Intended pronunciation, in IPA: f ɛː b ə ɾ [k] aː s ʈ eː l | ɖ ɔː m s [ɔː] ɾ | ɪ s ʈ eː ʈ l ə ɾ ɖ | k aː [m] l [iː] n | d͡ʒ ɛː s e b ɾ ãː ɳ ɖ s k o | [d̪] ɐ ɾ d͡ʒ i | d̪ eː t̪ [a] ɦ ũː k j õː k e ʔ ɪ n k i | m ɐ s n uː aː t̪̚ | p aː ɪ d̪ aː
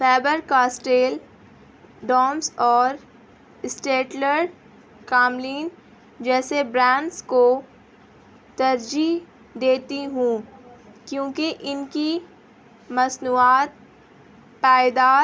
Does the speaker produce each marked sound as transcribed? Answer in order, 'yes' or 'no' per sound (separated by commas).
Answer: yes, yes, yes, yes, no, no